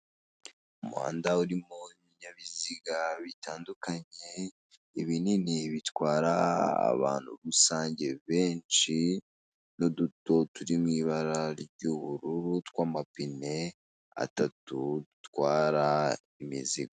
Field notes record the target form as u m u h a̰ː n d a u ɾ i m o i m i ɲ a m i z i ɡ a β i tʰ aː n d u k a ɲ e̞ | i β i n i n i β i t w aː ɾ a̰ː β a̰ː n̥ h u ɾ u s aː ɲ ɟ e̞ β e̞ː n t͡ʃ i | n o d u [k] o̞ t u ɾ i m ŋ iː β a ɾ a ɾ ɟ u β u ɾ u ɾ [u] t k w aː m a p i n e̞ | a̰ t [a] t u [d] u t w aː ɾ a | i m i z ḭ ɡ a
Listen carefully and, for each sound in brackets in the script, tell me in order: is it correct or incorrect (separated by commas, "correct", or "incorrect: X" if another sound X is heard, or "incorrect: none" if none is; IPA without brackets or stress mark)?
incorrect: t, correct, correct, correct